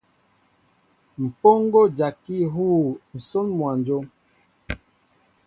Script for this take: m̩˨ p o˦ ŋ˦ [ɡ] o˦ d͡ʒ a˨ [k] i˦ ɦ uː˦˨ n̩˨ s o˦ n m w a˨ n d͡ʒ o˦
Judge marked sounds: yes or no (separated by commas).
yes, yes